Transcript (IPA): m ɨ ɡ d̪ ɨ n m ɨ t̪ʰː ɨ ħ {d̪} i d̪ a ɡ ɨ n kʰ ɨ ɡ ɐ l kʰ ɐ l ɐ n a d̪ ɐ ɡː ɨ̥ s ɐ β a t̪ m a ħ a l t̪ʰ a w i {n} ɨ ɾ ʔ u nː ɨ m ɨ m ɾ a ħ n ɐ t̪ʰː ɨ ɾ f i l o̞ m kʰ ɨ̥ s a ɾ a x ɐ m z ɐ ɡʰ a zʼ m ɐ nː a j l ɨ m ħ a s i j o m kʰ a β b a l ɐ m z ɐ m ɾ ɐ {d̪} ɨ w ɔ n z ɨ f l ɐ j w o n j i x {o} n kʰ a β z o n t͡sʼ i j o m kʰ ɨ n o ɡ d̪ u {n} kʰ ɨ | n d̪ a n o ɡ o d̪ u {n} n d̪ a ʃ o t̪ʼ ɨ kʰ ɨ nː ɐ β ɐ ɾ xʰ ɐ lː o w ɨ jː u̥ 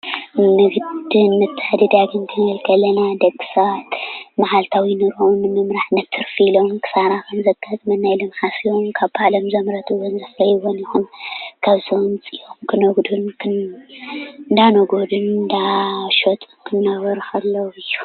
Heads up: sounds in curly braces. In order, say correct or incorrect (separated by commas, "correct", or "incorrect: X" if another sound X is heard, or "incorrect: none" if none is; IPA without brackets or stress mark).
correct, correct, incorrect: t̪, incorrect: u, correct, correct